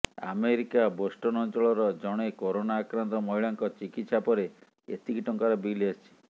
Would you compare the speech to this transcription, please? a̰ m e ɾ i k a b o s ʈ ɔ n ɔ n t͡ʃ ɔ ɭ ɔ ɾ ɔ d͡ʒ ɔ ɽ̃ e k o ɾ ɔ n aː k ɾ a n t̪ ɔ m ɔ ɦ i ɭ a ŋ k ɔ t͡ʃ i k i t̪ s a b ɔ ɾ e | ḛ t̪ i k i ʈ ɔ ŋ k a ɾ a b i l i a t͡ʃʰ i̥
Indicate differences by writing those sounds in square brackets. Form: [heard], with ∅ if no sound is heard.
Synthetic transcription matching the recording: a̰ m e ɾ i k a b o s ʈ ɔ n ɔ n t͡ʃ ɔ ɭ ɔ ɾ ɔ d͡ʒ ɔ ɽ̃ e k o ɾ [o] n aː k ɾ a n t̪ ɔ m ɔ ɦ i ɭ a ŋ k ɔ t͡ʃ i k i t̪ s a [p] ɔ ɾ e | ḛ t̪ i k i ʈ ɔ ŋ k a ɾ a b i l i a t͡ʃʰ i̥